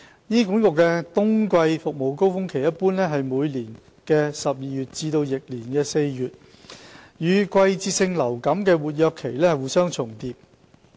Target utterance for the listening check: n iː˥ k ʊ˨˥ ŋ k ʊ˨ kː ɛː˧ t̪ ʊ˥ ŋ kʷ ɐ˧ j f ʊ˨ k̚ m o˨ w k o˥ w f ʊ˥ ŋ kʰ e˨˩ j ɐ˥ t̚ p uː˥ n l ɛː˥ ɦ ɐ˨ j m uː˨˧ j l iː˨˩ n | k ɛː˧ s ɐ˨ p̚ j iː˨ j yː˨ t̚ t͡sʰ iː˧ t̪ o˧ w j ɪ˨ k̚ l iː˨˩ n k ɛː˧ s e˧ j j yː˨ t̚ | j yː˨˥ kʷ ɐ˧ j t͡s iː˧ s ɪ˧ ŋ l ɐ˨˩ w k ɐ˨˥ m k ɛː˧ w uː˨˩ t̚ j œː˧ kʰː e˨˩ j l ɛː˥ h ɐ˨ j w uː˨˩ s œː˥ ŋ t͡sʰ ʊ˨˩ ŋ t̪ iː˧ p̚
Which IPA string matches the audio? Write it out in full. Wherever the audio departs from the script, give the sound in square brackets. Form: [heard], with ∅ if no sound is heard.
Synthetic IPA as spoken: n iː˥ k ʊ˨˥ ŋ k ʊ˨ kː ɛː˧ t̪ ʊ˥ ŋ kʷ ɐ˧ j f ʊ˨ k̚ m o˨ w k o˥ w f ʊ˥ ŋ kʰ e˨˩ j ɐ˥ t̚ p uː˥ n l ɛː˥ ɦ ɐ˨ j m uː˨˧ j l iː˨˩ n | k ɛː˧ s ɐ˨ p̚ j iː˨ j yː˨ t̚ [t͡s] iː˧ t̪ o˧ w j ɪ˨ k̚ l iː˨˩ n k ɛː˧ s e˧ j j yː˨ t̚ | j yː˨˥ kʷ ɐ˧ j t͡s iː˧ s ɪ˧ ŋ l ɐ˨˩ w k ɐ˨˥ m k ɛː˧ w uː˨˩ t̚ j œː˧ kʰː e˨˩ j l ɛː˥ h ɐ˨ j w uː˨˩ s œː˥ ŋ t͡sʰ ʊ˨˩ ŋ t̪ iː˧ p̚